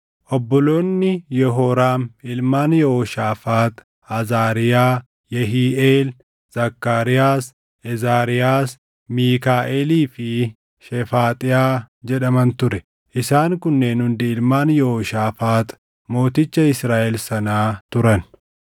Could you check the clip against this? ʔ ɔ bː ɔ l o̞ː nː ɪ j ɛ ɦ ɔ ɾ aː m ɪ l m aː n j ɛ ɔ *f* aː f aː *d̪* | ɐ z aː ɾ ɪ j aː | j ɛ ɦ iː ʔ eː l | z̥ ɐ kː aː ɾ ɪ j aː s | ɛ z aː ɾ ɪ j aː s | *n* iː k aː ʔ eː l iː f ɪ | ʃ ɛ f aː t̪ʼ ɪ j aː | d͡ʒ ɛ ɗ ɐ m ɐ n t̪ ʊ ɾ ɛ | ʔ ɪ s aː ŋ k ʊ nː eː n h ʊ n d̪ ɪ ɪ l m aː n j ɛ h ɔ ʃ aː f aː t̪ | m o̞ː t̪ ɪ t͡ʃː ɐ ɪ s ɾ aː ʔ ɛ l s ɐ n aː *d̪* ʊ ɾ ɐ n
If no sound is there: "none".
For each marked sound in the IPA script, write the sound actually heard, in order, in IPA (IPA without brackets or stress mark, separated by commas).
ʃ, t̪, m, t̪